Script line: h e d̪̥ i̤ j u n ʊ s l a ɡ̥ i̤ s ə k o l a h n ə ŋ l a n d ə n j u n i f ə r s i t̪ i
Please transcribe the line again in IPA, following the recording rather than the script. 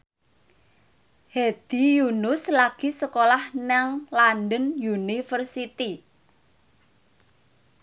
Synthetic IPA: h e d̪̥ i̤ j u n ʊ s l a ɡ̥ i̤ s ə k o l a h n a ŋ l a n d ə n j u n i f ə r s i t̪ i